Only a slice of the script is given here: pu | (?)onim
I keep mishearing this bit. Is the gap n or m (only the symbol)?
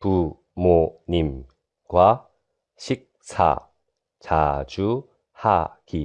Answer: m